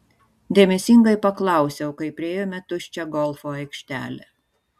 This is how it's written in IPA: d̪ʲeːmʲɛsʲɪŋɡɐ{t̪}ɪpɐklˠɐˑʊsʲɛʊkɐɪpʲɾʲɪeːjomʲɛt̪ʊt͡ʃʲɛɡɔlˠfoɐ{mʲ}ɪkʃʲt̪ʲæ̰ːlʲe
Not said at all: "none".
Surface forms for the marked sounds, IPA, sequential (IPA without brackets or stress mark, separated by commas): none, none